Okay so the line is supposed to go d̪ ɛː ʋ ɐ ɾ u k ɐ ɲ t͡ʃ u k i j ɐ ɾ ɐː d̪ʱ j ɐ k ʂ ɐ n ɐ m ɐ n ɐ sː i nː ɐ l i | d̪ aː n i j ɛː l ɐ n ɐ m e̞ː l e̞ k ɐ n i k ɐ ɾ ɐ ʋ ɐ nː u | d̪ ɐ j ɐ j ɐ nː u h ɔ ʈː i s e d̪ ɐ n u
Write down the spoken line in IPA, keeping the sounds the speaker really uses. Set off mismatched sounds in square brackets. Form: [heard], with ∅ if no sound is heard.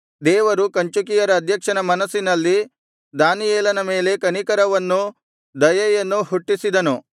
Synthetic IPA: d̪ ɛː ʋ ɐ ɾ u k ɐ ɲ t͡ʃ u k i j ɐ ɾ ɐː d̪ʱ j ɐ k ʂ ɐ n ɐ m ɐ n ɐ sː i [n] ɐ [lː] i | d̪ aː n i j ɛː l ɐ n ɐ m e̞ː l e̞ k ɐ n i k ɐ ɾ ɐ ʋ ɐ nː u | d̪ ɐ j ɐ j ɐ nː u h [u] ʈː i s [i] d̪ ɐ n u